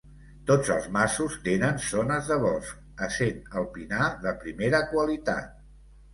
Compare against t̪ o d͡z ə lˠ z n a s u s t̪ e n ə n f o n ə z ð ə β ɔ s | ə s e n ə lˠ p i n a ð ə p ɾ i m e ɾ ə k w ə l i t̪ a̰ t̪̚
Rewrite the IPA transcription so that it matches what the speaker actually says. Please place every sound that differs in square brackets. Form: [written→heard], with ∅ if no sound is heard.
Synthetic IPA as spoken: t̪ o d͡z ə lˠ z [n→m] a s u s t̪ e n ə n [f→s] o n ə z ð ə β ɔ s | ə s e n ə lˠ p i n a ð ə p ɾ i m e ɾ ə k w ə l i t̪ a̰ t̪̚